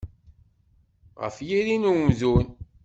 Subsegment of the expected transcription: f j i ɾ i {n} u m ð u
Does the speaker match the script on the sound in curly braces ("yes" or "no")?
yes